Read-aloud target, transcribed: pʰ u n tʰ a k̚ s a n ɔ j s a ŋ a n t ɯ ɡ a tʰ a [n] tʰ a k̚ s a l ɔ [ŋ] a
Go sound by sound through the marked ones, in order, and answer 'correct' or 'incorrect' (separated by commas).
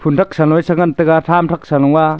incorrect, correct